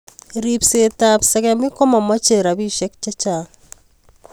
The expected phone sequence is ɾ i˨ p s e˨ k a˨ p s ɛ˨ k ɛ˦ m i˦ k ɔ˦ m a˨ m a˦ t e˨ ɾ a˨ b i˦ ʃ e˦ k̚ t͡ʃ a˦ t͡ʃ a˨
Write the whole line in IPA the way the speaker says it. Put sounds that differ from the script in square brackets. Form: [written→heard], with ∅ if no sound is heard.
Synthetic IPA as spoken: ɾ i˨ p s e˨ [k→t] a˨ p s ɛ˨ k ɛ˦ m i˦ k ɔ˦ m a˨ m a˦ [t→t͡ʃ] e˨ ɾ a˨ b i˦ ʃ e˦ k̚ t͡ʃ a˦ t͡ʃ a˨